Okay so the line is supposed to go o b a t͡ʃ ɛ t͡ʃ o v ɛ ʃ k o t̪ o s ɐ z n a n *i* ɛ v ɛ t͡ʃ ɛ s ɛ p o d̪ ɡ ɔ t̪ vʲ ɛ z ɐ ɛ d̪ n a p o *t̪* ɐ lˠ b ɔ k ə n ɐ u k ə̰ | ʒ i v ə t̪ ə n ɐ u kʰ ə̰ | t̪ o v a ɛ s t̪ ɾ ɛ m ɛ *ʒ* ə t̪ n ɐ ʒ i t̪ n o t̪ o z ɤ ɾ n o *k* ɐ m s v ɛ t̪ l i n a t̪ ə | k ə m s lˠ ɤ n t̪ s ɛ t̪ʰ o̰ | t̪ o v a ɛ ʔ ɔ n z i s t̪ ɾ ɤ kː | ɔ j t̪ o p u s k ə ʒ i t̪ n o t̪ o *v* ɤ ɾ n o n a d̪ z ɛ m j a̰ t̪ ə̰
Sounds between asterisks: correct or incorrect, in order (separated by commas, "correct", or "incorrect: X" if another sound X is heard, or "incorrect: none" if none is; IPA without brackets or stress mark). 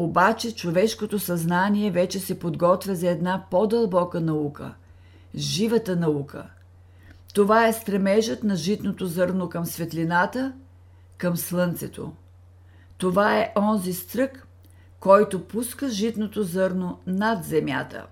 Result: correct, incorrect: d̪, correct, correct, incorrect: z